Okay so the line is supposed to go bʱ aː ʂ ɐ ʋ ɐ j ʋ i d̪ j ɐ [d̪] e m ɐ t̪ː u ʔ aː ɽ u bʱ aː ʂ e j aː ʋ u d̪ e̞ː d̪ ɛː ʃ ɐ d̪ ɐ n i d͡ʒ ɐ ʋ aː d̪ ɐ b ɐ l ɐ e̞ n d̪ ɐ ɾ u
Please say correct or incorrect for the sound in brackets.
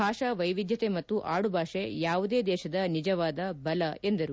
incorrect